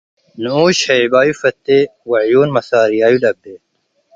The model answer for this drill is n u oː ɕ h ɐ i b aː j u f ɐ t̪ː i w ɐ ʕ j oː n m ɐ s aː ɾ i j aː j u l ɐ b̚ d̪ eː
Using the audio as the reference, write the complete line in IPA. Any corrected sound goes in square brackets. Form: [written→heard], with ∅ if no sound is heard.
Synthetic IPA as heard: n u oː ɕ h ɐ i b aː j u f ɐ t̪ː [i→e] w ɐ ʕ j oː n m ɐ s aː ɾ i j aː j u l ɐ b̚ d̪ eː